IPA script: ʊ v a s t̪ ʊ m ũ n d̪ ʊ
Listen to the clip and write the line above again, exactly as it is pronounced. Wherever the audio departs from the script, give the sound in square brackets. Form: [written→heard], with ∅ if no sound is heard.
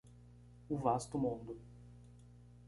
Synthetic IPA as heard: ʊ v a s t̪ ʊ m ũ n d̪ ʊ

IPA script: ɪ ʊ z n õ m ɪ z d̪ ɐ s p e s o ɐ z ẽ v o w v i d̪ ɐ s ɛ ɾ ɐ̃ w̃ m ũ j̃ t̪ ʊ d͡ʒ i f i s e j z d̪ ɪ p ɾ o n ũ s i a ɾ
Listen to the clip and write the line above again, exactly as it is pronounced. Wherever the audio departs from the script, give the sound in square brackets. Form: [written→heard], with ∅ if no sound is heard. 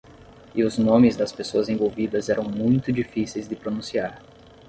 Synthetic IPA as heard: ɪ ʊ z n õ m ɪ z d̪ ɐ s p e s o ɐ z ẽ v o w v i d̪ ɐ [s→z] ɛ ɾ ɐ̃ w̃ m ũ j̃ t̪ ʊ d͡ʒ i f i s e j z d̪ ɪ p ɾ o n ũ s i a ɾ

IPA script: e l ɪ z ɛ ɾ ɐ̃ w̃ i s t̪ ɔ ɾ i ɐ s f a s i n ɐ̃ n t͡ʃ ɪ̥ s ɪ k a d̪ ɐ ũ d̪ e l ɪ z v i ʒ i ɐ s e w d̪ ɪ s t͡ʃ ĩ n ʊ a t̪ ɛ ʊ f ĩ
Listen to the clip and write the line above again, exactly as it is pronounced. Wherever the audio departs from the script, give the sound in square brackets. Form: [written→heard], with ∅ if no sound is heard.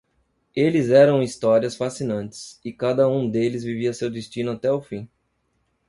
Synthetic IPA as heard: e l ɪ z ɛ ɾ ɐ̃ w̃ i s t̪ ɔ ɾ i ɐ s f a s i n ɐ̃ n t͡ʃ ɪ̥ s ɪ k a d̪ ɐ ũ d̪ e l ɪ z v i [ʒ→v] i ɐ s e w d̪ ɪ s t͡ʃ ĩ n ʊ a t̪ ɛ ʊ f ĩ

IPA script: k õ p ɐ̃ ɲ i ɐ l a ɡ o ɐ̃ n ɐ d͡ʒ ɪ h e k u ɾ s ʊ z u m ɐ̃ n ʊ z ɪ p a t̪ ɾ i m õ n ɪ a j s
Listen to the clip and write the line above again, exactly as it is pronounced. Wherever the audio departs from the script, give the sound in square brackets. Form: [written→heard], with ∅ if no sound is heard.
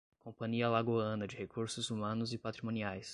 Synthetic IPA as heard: k õ p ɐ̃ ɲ i ɐ l a ɡ o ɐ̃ n ɐ d͡ʒ ɪ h e k u ɾ s ʊ z u m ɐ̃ n ʊ z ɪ p a t̪ ɾ i m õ n [ɪ→i] a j s

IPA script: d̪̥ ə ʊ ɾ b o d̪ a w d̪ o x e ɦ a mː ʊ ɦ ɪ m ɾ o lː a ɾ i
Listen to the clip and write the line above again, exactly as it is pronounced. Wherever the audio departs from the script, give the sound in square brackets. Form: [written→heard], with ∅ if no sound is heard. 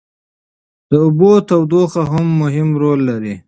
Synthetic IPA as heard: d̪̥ ə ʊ [ɾ→∅] b o [d̪→t̪] a w d̪ o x [e→a] ɦ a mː ʊ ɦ ɪ m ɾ o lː a ɾ i

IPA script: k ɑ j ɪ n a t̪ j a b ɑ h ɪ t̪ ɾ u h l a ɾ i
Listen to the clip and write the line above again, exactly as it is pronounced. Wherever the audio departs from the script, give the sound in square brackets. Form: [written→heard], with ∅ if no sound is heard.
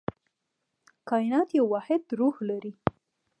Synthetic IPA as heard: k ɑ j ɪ n [a→ɑ] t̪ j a [b→w] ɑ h ɪ [t̪→d̪] ɾ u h l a ɾ i

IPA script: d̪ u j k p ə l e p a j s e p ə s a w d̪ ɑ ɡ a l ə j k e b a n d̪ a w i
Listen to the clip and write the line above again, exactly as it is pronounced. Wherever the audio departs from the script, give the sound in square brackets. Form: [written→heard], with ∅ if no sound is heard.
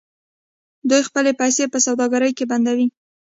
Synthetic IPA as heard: d̪ u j [k→x] p ə l e p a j s e p ə s a w d̪ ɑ ɡ a [l→ɾ] ə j k e b a n d̪ a w i

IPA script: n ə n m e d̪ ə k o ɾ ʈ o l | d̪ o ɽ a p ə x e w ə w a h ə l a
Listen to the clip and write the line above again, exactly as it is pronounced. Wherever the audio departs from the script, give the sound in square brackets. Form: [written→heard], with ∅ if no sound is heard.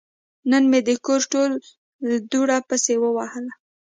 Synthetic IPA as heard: n ə n m e d̪ ə k o ɾ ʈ o l | d̪ [o→u] ɽ a p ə [x→s] e w ə w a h ə l a

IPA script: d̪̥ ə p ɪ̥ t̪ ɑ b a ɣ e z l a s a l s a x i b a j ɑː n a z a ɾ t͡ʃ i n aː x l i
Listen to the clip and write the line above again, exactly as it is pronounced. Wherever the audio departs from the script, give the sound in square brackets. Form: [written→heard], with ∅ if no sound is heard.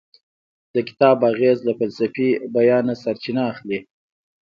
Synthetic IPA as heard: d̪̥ ə [p→k] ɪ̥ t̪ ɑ b a ɣ e z l a [s→f] a l s a [x→f] i b a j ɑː n a [z→s] a ɾ t͡ʃ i n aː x l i

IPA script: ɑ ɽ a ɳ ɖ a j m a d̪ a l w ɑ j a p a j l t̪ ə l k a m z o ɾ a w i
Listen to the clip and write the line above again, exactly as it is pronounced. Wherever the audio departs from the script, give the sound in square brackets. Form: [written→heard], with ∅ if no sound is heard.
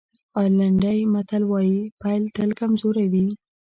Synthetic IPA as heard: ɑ [ɽ→l] a ɳ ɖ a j m a [d̪→t̪] a l w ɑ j [a→i] p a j l t̪ ə l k a m z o ɾ a w i

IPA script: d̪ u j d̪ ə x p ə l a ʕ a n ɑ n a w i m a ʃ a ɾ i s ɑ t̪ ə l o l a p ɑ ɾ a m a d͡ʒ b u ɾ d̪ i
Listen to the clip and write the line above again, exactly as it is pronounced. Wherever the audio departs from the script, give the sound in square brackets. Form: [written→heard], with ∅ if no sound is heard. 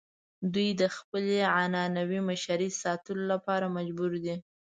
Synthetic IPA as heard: d̪ u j d̪ ə x p ə l [a→e] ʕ a n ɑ n a w i m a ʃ a ɾ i s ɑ t̪ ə l o l a p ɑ ɾ a m a d͡ʒ b u ɾ d̪ i

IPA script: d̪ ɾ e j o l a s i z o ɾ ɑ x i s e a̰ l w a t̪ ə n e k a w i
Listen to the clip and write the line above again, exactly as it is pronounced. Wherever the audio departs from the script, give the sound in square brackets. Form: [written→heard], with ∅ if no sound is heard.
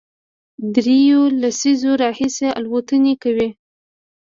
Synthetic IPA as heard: d̪ ɾ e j o l a s i z o ɾ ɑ [x→h] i s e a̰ l w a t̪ ə n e k a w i

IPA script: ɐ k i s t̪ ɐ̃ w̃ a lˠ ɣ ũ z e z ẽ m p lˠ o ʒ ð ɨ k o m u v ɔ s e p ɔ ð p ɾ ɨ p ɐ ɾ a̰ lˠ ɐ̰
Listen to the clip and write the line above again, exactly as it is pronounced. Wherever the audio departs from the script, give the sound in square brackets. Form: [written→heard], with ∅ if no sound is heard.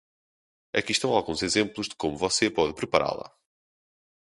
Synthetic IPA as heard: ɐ k i [s→ʃ] t̪ ɐ̃ w̃ a lˠ ɣ ũ z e z ẽ m p lˠ [o→u] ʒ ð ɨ k o m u v ɔ s e p ɔ ð p ɾ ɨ p ɐ ɾ a̰ lˠ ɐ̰

